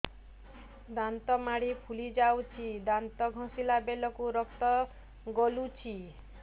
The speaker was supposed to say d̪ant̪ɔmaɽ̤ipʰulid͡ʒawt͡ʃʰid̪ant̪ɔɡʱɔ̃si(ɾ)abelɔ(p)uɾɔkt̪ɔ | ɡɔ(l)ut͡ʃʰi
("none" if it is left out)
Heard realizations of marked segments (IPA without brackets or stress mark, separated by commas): l, k, l